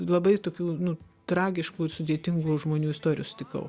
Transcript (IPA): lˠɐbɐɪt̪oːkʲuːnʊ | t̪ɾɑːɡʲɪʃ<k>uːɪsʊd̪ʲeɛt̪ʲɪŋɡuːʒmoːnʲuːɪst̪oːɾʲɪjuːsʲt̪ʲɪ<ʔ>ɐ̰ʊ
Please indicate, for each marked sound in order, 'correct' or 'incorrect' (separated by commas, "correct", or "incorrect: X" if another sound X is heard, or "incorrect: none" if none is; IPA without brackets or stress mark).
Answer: correct, incorrect: k